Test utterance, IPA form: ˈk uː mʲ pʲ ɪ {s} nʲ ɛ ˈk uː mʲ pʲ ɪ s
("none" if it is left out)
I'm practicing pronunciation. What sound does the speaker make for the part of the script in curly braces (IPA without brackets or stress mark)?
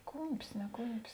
s